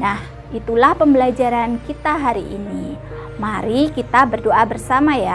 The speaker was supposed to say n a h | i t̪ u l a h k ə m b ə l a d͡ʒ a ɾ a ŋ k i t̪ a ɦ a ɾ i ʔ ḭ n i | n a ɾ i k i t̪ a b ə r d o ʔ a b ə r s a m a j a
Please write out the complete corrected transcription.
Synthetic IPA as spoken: n a h | i t̪ u l a h p ə m b ə l a d͡ʒ a ɾ a n k i t̪ a ɦ a ɾ i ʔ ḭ n i | m a ɾ i k i t̪ a b ə r d o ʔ a b ə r s a m a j a

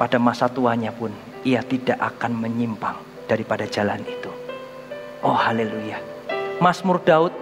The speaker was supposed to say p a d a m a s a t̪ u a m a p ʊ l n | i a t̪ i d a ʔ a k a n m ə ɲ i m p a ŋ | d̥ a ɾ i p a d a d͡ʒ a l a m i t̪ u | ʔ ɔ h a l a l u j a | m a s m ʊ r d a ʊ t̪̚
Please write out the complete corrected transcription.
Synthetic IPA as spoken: p a d a m a s a t̪ u a ɲ a p ʊ n | i a t̪ i d a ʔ a k a n m ə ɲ i m p a ŋ | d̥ a ɾ i p a d a d͡ʒ a l a n i t̪ u | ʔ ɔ h a l e l u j a | m a s m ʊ r d a ʊ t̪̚

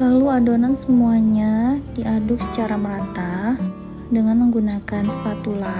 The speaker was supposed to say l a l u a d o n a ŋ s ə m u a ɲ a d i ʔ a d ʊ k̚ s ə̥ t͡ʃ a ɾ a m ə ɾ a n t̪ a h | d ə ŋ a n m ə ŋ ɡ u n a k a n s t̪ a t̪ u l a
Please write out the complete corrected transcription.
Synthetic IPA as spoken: l a l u a d o n a n s ə m u a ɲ a d i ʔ a d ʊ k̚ s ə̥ t͡ʃ a ɾ a m ə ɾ a n t̪ a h | d ə ŋ a n m ə ŋ ɡ u n a k a n s t̪ a t̪ u l a

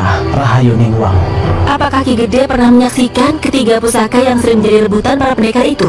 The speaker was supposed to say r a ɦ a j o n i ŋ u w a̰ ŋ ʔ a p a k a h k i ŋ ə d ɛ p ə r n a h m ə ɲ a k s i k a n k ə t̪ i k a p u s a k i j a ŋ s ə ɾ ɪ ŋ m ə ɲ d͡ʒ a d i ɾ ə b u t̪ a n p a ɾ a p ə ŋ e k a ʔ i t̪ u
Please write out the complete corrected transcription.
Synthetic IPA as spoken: r a ɦ a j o n i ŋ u w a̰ ŋ ʔ a p a k a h k i ɡ ə d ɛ p ə r n a h m ə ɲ a k s i k a n k ə t̪ i ɡ a p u s a k a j a ŋ s ə ɾ ɪ ŋ m ə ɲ d͡ʒ a d i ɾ ə b u t̪ a n p a ɾ a p ə n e k a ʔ i t̪ u

